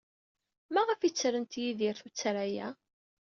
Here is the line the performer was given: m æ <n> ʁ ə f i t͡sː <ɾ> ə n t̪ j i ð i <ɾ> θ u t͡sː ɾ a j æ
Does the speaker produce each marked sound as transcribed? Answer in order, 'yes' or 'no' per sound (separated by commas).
no, yes, yes